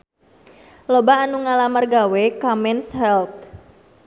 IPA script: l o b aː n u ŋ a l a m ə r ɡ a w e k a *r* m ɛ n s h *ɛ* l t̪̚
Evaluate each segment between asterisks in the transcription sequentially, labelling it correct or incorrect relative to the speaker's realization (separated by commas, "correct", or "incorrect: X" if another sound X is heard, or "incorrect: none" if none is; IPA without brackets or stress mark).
incorrect: none, correct